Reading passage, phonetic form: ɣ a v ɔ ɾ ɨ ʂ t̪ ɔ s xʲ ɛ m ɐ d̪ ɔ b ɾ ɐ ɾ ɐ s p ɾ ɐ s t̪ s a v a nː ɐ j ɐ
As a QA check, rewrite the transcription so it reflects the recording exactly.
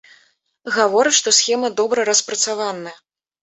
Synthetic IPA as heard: ɣ a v ɔ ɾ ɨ ʂ t̪ ɔ s xʲ ɛ m ɐ d̪ ɔ b ɾ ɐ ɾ ɐ s p ɾ ɐ t̪ s a v a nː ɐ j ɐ